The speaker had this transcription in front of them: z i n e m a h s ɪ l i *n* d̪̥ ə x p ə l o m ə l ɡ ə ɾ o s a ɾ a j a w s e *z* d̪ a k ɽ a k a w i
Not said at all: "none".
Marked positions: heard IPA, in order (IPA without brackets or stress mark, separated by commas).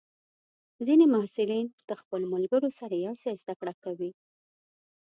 n, z